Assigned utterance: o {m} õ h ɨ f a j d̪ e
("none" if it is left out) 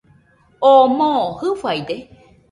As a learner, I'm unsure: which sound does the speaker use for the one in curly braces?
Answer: m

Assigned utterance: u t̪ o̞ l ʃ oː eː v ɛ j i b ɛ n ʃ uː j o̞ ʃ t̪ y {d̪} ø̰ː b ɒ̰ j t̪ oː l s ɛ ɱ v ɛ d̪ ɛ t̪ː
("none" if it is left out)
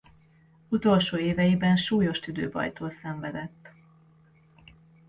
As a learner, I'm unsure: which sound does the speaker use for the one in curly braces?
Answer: d̪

